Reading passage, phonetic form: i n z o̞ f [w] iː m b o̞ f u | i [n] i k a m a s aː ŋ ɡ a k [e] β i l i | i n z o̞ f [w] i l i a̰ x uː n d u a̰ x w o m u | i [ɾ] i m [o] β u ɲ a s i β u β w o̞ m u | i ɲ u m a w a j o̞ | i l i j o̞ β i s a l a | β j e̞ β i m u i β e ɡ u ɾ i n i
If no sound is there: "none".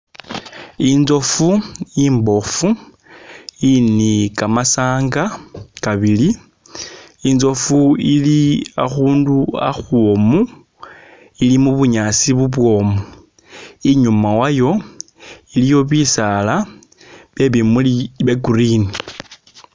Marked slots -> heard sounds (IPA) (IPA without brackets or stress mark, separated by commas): u, n, a, u, l, u